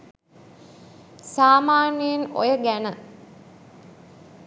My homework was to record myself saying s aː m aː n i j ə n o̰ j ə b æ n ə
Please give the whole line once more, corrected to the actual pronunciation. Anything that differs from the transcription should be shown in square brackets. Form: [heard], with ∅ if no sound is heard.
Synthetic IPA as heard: s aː m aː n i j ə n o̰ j ə [ɡ] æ n ə